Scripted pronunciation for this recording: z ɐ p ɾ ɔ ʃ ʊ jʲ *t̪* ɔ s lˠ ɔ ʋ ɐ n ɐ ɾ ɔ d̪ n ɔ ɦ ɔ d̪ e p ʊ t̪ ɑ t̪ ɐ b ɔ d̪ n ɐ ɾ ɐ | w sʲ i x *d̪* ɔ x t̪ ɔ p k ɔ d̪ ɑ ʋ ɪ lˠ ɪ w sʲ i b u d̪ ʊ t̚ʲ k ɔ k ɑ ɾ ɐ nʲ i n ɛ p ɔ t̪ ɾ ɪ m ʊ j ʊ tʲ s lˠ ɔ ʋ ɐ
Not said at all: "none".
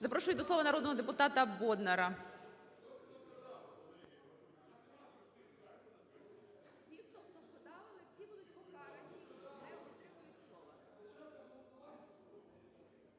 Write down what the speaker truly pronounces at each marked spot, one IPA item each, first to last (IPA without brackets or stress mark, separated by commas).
d̪, t̪